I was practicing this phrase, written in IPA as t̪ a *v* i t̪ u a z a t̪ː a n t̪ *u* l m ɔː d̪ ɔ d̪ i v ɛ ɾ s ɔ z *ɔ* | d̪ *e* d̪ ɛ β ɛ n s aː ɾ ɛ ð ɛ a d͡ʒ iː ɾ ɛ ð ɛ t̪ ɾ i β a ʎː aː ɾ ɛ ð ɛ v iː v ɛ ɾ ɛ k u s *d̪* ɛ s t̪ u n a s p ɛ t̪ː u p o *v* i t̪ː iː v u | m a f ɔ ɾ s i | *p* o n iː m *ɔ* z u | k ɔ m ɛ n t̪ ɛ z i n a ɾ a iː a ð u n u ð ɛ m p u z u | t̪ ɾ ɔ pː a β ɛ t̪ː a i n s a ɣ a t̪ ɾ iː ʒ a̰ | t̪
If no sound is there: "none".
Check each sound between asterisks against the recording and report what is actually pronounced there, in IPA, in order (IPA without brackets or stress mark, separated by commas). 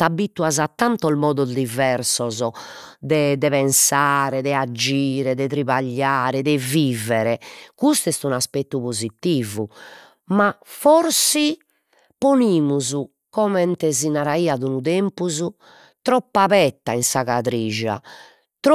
b, ɔ, ɔ, ɛ, t̪, z, p, u